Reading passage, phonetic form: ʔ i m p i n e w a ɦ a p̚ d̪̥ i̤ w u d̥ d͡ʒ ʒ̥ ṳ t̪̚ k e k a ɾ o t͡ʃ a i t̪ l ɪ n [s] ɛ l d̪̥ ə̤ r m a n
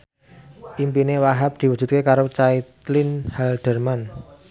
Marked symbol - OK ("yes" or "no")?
no